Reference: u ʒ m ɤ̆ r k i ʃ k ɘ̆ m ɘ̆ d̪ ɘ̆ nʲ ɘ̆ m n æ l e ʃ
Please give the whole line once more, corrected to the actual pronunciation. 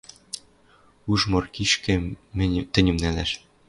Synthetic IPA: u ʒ m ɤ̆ r k i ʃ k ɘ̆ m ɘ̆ t̪ ɘ̆ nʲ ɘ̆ m n æ l æ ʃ